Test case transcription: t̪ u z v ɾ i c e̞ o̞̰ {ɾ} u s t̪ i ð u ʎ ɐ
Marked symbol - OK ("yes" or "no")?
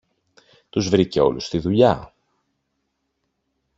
no